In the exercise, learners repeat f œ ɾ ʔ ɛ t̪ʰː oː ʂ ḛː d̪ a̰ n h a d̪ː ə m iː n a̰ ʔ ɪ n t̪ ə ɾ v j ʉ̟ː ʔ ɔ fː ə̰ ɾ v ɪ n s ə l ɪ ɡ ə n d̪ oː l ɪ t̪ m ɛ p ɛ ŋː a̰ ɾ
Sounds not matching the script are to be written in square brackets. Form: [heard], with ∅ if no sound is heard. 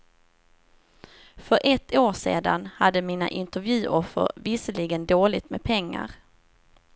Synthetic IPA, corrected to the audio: f œ ɾ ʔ ɛ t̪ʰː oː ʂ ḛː d̪ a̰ n h a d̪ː ə m iː n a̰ ʔ ɪ n t̪ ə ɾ v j ʉ̟ː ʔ ɔ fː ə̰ ɾ v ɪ [∅] s ə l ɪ ɡ ə n d̪ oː l ɪ t̪ m ɛ [pʰ] ɛ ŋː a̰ ɾ